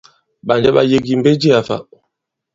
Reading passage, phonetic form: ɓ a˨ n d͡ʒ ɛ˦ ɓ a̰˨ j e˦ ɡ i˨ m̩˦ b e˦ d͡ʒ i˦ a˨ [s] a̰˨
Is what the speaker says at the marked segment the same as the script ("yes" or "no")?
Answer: no